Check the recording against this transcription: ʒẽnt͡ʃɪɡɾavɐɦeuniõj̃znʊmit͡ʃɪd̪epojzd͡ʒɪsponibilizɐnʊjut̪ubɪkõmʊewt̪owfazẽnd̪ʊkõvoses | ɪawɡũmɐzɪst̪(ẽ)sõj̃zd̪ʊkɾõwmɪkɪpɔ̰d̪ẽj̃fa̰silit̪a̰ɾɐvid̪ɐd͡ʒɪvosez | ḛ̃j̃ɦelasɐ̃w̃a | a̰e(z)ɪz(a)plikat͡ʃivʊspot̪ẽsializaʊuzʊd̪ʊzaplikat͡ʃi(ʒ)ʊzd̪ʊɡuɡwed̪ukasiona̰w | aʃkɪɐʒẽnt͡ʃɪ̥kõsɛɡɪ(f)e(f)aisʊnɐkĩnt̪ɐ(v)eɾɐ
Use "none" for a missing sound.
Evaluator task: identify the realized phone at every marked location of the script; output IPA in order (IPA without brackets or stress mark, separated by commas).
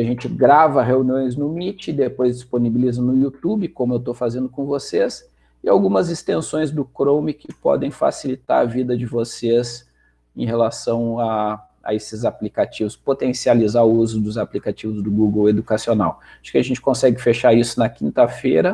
ẽ, s, a, v, f, ʃ, f